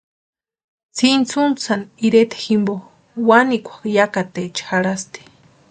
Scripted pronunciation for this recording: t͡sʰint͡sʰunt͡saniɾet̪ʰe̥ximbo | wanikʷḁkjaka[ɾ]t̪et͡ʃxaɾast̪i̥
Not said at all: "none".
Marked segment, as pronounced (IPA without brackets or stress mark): none